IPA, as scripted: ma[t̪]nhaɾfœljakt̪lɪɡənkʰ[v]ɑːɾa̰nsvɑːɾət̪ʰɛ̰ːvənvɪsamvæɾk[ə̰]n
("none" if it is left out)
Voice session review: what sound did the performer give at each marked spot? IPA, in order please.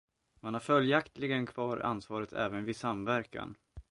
none, v, a̰

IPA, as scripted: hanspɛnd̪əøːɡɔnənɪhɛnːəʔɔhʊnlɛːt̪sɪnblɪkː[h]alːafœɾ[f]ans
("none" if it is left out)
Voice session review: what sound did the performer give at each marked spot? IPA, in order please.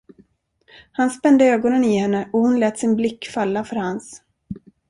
f, h

